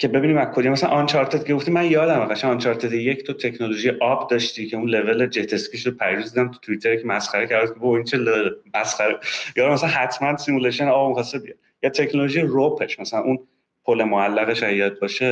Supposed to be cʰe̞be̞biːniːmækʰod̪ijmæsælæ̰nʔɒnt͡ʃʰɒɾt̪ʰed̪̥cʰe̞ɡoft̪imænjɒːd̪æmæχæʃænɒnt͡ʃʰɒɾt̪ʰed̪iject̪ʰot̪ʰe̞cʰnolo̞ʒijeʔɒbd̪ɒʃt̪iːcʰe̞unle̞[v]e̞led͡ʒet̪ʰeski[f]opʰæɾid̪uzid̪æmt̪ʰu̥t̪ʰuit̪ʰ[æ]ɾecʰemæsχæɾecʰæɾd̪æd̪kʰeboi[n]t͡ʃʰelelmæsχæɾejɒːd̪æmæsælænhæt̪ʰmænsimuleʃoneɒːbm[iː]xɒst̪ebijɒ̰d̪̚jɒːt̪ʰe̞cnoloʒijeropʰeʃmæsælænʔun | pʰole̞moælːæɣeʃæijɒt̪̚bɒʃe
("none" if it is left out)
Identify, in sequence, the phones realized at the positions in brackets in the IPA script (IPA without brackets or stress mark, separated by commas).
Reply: v, ʃ, e, n, i